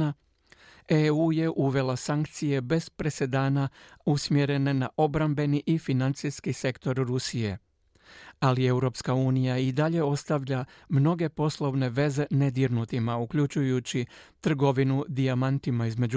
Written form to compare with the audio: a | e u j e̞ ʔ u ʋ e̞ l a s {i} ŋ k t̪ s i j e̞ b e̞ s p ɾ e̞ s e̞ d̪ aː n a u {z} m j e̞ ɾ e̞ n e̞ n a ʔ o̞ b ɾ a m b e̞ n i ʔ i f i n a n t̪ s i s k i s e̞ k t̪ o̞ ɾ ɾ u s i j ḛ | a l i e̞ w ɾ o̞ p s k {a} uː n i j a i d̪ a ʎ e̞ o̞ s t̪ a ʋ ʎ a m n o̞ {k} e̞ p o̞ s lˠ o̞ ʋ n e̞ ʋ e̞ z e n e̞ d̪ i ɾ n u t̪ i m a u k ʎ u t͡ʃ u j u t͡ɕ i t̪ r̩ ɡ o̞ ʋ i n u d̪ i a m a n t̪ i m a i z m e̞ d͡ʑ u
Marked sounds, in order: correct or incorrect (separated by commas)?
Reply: incorrect, incorrect, correct, incorrect